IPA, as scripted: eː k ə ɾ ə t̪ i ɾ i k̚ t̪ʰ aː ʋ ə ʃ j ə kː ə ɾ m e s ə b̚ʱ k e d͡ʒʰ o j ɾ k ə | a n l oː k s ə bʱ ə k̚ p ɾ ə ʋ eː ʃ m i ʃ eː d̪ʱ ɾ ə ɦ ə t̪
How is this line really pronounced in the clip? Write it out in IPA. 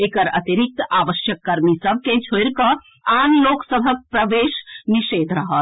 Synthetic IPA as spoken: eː k ə ɾ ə t̪ i ɾ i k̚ t̪ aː ʋ ə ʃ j ə kː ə ɾ m i s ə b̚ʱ k e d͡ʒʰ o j ɾ k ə | a n l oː k s ə bʱ ə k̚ p ɾ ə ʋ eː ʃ n i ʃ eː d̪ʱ ɾ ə ɦ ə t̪